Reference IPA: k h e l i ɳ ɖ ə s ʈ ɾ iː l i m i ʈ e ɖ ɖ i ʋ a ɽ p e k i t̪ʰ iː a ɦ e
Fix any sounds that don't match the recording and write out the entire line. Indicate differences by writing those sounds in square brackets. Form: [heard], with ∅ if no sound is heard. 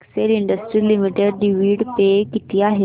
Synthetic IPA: k [s] e l i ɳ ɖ ə s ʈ ɾ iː l i m i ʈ e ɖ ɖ i ʋ [i] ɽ p e k i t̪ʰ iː a ɦ e